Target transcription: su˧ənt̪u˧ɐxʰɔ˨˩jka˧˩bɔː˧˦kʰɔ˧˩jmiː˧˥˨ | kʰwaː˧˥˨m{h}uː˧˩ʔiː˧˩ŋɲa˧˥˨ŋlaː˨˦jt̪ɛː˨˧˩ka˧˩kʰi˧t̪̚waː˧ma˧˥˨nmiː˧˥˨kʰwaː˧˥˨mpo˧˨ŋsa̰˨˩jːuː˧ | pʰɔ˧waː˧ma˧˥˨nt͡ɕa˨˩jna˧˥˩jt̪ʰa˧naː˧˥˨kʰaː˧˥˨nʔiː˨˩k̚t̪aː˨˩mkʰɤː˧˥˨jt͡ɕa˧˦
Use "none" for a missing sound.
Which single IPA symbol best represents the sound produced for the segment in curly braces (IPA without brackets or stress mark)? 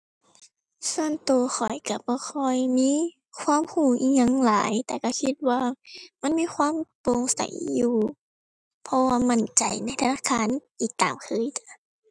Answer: h